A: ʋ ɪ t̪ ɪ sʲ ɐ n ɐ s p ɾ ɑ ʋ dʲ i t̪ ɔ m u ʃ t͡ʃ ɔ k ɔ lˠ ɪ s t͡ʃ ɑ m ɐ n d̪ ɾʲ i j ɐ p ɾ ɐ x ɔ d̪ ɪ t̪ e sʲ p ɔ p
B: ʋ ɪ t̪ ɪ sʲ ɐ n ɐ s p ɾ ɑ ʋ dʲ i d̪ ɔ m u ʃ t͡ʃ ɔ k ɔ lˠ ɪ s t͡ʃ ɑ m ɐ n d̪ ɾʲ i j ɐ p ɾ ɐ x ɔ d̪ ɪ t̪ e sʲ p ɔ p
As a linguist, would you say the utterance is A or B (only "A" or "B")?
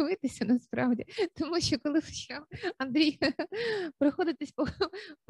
A